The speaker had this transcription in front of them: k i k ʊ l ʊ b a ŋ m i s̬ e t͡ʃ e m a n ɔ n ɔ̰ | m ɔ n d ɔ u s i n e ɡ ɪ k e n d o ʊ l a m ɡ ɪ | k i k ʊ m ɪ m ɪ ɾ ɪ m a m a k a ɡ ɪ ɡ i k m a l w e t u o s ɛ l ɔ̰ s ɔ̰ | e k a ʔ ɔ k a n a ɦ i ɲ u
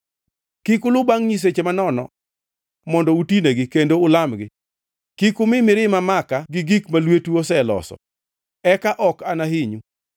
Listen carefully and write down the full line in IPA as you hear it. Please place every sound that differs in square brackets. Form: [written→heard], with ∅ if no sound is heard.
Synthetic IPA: k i k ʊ l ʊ b a ŋ [m→ɲ] i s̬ e t͡ʃ e m a n ɔ n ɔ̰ | m ɔ n d ɔ u [s→t] i n e ɡ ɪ k e n d o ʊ l a m ɡ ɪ | k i k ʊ m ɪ m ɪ ɾ ɪ m a m a k a ɡ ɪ ɡ i k m a l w e t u o s ɛ l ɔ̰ s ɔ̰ | [e→ɛ] k a ʔ ɔ k a n a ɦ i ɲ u